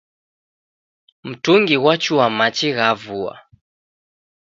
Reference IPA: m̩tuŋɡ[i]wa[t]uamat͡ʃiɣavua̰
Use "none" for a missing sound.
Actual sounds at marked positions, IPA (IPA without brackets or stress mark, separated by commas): i, t͡ʃ